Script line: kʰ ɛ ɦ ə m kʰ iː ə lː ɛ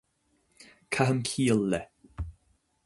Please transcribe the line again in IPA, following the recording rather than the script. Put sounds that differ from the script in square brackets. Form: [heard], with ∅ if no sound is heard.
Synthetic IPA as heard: kʰ [a] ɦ ə m kʰ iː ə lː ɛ